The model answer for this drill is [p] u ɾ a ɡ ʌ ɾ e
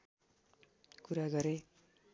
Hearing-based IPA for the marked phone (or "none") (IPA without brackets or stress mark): k